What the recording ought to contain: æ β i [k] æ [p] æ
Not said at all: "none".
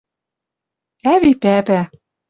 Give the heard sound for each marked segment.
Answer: p, p

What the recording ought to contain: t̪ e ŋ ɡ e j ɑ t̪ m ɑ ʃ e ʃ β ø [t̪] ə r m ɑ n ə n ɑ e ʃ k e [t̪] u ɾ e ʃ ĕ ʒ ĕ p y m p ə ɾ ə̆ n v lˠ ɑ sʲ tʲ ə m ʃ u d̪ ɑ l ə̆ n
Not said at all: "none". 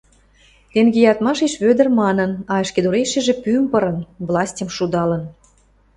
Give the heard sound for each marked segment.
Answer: d̪, d̪

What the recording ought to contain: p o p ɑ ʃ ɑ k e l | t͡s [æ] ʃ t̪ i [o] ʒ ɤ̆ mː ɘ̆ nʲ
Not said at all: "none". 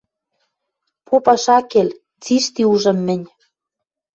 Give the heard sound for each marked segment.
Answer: i, u

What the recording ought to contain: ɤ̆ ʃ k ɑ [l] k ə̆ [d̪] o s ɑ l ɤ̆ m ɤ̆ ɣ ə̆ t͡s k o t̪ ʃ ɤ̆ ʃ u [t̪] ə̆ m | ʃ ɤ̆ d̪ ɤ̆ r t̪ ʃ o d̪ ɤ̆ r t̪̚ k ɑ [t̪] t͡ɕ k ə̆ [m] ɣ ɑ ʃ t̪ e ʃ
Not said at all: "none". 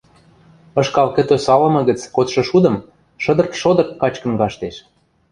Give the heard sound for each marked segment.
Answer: l, t̪, d̪, none, n

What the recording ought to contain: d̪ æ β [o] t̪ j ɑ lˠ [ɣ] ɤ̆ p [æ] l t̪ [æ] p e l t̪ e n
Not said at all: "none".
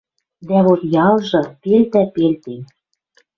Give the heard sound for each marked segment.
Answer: o, ʒ, e, æ

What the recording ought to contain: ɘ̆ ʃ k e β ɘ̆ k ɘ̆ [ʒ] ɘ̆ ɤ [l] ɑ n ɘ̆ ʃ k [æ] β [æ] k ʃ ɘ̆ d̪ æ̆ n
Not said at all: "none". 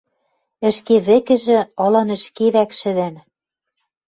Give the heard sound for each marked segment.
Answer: ʒ, l, e, æ

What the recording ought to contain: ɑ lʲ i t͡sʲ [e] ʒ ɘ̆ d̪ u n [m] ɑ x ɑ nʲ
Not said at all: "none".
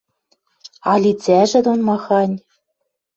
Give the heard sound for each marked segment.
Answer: æ, m

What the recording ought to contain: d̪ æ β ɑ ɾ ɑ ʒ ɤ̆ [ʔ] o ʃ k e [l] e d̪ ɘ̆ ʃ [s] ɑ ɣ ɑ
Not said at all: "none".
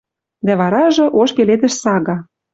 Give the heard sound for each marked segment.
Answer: ʔ, l, s

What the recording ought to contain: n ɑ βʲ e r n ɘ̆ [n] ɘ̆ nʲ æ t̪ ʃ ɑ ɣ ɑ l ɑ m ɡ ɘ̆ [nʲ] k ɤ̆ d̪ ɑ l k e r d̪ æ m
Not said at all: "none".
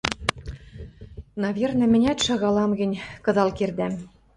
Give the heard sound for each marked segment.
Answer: m, nʲ

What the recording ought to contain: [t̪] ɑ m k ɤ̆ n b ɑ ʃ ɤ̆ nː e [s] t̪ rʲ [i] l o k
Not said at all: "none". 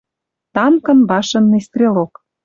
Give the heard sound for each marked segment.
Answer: t̪, s, e

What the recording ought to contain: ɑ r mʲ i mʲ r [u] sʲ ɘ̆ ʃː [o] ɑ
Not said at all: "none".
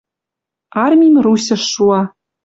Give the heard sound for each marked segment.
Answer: u, u

